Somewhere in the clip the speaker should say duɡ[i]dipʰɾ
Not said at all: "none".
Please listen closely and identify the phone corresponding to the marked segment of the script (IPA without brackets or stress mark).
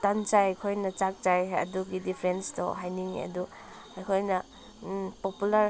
i